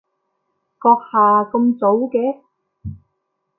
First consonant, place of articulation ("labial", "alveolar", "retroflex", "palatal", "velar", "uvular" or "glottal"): velar